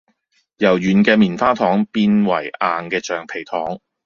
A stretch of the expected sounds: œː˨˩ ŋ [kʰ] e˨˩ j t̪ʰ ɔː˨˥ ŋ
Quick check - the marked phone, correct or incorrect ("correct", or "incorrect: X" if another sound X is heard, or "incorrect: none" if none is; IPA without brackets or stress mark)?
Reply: incorrect: pʰ